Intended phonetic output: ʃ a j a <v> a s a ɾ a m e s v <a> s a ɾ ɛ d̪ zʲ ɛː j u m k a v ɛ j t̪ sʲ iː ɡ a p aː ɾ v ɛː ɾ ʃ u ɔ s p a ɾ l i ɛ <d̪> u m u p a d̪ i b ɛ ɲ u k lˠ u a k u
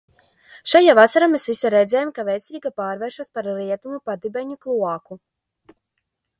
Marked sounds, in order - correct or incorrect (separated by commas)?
correct, incorrect, incorrect